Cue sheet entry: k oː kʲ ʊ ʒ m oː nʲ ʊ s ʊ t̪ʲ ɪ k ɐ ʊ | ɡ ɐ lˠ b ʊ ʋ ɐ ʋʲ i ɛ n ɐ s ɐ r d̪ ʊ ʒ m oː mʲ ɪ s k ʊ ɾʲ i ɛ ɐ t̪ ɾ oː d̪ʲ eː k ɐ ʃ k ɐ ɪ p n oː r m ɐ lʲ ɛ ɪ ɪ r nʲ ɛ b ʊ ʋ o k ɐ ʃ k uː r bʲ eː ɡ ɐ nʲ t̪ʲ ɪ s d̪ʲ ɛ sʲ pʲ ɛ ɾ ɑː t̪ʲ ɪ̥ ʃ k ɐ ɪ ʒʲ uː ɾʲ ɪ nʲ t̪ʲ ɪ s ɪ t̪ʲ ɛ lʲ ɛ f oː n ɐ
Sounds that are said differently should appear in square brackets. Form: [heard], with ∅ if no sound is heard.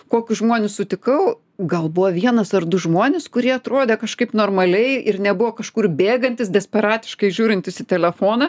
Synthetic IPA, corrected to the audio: k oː kʲ ʊ ʒ m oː nʲ ʊ s ʊ t̪ʲ ɪ k ɐ ʊ | ɡ ɐ lˠ b ʊ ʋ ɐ ʋʲ i ɛ n ɐ s ɐ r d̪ ʊ ʒ m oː [nʲ] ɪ s k ʊ ɾʲ i ɛ ɐ t̪ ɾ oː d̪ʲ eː k ɐ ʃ k ɐ ɪ p n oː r m ɐ lʲ ɛ ɪ ɪ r nʲ ɛ b ʊ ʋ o k ɐ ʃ k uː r bʲ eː ɡ ɐ nʲ t̪ʲ ɪ s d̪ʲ ɛ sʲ pʲ ɛ ɾ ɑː t̪ʲ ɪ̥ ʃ k ɐ ɪ ʒʲ uː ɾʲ ɪ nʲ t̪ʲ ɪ s ɪ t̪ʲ ɛ lʲ ɛ f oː n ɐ